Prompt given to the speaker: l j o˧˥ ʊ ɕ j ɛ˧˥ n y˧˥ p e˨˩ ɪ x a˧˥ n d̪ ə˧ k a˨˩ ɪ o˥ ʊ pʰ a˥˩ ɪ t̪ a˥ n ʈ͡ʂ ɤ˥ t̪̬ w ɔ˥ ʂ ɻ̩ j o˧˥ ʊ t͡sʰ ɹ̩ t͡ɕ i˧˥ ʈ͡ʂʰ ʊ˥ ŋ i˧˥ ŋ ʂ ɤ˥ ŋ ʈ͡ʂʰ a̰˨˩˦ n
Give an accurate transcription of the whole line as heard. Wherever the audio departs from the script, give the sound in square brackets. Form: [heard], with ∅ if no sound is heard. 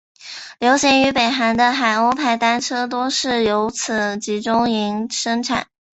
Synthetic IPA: l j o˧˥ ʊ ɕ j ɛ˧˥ n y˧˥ p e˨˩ ɪ x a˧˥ n d̪ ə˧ [x] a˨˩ ɪ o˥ ʊ pʰ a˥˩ ɪ t̪ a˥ n [ʈ͡ʂʰ] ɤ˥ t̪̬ w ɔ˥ ʂ ɻ̩ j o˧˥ ʊ t͡sʰ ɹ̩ t͡ɕ i˧˥ [ʈ͡ʂ] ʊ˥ ŋ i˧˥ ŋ ʂ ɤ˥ ŋ ʈ͡ʂʰ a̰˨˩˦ n